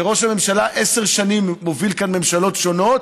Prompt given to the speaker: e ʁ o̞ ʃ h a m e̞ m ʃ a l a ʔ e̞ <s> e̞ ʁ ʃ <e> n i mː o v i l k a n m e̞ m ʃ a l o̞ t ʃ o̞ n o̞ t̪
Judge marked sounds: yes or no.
yes, no

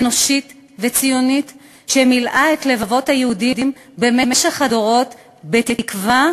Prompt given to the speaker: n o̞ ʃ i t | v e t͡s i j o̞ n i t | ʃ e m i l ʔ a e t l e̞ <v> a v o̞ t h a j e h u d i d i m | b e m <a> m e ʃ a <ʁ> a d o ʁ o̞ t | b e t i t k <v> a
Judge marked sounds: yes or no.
yes, no, no, yes

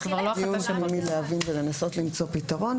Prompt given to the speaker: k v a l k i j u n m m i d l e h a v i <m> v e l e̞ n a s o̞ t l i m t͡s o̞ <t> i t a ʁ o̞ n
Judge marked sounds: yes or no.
no, no

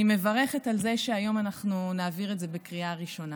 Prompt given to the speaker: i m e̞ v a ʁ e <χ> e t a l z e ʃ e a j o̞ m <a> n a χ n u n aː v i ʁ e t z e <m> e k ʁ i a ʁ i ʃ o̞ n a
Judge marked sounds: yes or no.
yes, yes, no

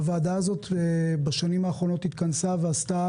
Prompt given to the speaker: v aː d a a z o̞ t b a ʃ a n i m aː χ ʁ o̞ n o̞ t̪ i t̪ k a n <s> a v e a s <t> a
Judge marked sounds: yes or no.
yes, yes

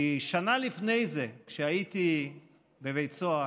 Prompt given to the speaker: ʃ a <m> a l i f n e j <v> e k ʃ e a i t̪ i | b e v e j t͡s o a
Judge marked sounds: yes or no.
no, no

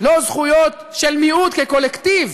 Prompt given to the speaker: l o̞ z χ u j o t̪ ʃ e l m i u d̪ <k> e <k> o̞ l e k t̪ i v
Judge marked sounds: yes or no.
yes, yes

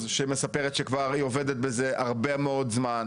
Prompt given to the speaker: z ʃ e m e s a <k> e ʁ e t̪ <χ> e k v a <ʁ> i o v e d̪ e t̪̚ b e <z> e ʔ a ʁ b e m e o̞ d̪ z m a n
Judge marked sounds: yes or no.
no, no, yes, yes

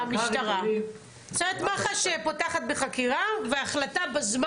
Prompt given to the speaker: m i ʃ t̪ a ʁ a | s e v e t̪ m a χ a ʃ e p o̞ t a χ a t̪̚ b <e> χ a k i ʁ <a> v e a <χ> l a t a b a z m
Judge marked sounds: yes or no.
yes, yes, yes

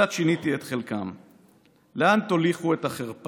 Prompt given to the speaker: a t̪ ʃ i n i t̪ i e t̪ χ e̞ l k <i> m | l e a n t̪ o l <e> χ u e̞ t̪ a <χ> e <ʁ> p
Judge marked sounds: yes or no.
no, no, yes, yes

